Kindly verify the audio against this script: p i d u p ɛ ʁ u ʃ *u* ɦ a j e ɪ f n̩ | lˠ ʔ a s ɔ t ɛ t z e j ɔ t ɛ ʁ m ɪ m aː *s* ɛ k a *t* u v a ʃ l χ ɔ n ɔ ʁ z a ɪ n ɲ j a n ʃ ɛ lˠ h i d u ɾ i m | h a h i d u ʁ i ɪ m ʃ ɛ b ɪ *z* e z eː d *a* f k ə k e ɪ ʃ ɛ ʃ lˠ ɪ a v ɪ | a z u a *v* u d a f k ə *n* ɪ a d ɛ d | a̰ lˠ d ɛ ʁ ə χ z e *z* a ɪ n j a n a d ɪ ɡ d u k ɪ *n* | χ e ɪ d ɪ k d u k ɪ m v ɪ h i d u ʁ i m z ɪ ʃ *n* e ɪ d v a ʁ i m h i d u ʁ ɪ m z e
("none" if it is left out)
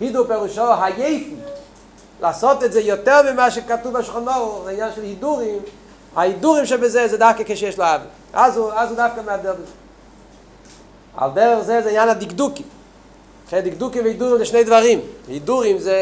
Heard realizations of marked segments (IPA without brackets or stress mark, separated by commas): ɔ, ʃ, t, z, a, z, m, z, m, n